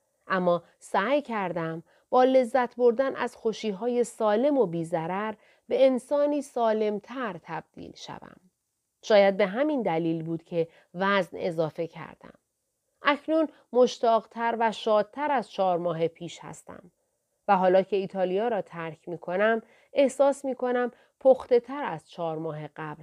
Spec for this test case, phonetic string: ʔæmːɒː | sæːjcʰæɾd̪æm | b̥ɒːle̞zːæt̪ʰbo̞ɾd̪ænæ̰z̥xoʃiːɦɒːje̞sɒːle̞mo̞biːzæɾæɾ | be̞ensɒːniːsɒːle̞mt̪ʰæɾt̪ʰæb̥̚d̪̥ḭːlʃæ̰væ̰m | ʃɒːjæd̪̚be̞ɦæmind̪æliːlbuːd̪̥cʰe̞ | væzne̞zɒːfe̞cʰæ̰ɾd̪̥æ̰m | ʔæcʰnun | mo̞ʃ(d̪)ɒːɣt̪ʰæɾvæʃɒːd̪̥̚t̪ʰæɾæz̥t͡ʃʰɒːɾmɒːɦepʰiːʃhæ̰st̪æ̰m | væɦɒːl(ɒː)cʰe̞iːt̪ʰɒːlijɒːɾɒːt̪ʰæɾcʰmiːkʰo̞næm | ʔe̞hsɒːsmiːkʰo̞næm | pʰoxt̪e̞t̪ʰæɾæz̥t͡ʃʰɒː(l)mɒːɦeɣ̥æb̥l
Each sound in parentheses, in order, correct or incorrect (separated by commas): incorrect, correct, incorrect